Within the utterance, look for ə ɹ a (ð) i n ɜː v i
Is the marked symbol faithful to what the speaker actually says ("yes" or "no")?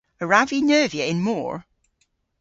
no